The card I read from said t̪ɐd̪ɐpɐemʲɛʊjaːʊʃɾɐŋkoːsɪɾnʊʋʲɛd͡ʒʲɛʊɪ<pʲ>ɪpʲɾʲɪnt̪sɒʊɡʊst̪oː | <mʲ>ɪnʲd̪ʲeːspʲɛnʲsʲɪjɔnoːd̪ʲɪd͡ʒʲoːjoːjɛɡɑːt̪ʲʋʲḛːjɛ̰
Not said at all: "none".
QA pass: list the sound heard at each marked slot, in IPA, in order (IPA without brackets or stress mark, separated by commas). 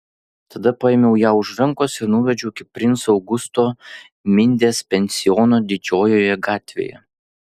kʲ, mʲ